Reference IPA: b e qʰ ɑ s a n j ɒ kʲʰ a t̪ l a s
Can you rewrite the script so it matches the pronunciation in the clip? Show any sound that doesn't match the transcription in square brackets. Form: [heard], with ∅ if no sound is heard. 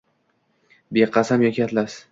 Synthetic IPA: b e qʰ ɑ s a [m] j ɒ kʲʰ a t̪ l a s